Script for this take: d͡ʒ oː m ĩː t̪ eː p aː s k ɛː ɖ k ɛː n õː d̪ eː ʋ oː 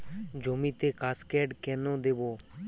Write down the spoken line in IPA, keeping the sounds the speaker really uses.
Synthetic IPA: d͡ʒ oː m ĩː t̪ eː k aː s k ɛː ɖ k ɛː n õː d̪ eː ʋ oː